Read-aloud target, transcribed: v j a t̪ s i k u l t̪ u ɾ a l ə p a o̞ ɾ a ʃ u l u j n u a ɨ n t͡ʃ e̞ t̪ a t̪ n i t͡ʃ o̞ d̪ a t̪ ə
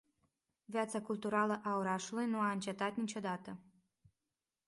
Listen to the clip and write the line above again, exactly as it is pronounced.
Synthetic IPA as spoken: v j a t̪ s a k u l t̪ u ɾ a l ə ʔ a o̞ ɾ a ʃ u l u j n u a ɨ n t͡ʃ e̞ t̪ a t̪ n i t͡ʃ o̞ d̪ a t̪ ə